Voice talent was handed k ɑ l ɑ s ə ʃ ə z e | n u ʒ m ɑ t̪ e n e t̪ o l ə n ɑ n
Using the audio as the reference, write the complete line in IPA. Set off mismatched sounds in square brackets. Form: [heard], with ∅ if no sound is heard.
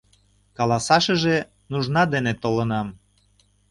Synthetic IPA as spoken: k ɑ l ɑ s [ɑ] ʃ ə [ʒ] e | n u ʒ [n] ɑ [d̪] e n e t̪ o l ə n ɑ [m]